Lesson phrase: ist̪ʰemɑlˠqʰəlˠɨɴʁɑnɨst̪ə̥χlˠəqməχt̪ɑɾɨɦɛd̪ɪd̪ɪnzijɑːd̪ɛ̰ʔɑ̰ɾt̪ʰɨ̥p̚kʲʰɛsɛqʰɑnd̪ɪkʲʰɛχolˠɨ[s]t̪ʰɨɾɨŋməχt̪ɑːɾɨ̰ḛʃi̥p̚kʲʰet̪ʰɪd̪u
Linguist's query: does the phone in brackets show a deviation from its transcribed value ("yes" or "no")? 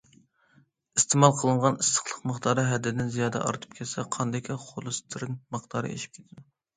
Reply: no